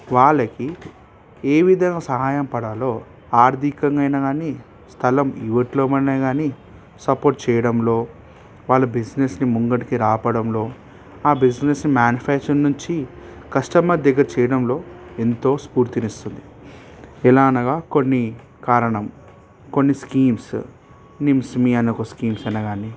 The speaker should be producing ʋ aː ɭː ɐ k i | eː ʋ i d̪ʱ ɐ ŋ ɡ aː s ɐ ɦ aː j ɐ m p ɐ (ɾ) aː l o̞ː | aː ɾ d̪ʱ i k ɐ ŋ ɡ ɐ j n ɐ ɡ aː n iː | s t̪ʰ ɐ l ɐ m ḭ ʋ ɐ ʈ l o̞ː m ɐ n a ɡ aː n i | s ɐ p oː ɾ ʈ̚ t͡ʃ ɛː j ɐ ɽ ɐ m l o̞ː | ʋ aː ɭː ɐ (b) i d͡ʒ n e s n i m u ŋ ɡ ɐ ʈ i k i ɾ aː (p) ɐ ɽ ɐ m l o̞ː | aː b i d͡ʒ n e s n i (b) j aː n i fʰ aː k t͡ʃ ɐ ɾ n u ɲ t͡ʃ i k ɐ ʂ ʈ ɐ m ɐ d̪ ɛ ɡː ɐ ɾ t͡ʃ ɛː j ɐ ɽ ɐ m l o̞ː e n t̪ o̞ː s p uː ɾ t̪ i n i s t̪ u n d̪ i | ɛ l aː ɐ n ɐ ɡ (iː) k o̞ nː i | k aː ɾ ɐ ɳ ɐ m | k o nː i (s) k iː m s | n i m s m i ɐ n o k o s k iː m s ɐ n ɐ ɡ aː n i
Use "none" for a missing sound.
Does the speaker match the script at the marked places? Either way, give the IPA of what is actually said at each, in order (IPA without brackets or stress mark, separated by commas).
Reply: ɽ, b, p, m, aː, s